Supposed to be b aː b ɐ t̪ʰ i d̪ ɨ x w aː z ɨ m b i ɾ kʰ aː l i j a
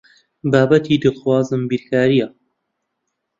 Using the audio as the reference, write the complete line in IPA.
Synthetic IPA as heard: b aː b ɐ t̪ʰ i d̪ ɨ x w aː z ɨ m b i ɾ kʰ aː ɾ i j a